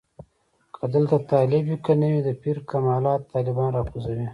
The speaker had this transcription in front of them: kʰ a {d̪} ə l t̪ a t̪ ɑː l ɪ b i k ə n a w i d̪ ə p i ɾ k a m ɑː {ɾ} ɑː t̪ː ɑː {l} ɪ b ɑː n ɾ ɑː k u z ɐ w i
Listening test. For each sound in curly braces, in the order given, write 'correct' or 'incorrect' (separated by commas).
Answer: correct, incorrect, correct